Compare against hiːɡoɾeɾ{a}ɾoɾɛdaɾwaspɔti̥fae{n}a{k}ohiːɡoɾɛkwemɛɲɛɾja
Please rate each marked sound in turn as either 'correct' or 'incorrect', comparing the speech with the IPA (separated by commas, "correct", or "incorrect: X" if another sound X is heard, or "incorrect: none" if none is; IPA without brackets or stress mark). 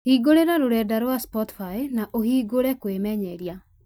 correct, correct, incorrect: ʔ